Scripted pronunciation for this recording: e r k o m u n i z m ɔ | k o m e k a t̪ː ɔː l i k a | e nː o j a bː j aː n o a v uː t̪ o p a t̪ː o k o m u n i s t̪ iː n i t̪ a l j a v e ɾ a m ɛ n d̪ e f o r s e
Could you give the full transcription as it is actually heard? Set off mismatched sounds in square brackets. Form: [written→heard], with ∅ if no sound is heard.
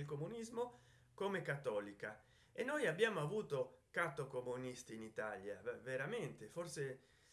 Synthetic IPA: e [r→l] k o m u n i z m [ɔ→o] | k o m e k a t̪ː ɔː l i k a | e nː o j a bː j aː [n→m] o a v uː t̪ o [p→k] a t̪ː o k o m u n i s t̪ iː n i t̪ a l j a v e ɾ a m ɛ n [d̪→t̪] e f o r s e

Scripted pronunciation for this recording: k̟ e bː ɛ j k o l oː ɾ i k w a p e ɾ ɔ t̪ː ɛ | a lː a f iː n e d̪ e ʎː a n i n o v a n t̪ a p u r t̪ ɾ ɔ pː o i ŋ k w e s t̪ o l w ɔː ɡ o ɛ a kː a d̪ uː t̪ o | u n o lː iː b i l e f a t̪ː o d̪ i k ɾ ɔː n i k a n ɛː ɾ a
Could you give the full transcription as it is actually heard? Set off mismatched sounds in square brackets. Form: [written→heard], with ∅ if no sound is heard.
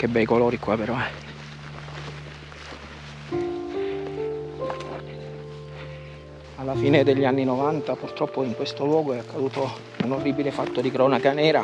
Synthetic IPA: k̟ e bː ɛ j k o l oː ɾ i k w a p e ɾ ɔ [t̪ː→∅] ɛ | a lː a f iː n e d̪ e ʎː a [n→nː] i n o v a n t̪ a p u r t̪ ɾ ɔ pː o i ŋ k w e s t̪ o l w ɔː ɡ o ɛ a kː a d̪ uː t̪ o | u n o [lː→rː] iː b i l e f a t̪ː o d̪ i k ɾ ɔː n [i→a] k a n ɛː ɾ a

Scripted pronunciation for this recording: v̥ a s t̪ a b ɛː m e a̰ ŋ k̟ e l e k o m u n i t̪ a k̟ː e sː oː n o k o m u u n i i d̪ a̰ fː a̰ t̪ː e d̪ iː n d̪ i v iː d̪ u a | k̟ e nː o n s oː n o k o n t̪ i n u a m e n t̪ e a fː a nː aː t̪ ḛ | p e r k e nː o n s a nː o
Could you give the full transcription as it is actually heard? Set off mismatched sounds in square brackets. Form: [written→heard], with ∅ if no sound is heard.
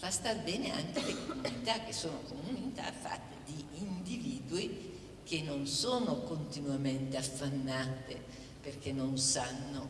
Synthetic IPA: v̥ a s t̪ a b ɛː [m→n] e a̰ ŋ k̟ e l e k o m u n i t̪ a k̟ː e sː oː n o k o m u u n i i [d̪→t̪] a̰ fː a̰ t̪ː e d̪ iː n d̪ i v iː d̪ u [a→i] | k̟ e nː o n s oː n o k o n t̪ i n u a m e n t̪ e a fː a nː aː t̪ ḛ | p e r k e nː o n s a nː o

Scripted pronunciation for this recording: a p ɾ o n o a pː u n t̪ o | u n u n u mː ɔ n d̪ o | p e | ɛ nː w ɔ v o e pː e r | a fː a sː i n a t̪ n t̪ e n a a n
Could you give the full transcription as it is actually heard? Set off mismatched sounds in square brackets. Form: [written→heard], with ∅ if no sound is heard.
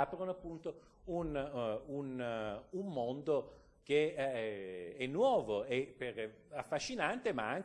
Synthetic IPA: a p ɾ o n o a pː u n t̪ o | u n u n u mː [ɔ→o] n d̪ o | [p→k] e | ɛ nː w [ɔ→ɔː] v o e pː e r | a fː a [sː→ʃː] i n a [t̪→∅] n t̪ e [n→m] a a [n→ŋ]

